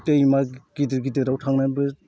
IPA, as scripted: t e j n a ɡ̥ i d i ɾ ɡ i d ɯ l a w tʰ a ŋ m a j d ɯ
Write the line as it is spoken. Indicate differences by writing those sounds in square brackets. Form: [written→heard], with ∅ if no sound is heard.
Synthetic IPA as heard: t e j [n→m] a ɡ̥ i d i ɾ ɡ i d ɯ [l→ɾ] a w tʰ a ŋ [m→n] a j [d→b] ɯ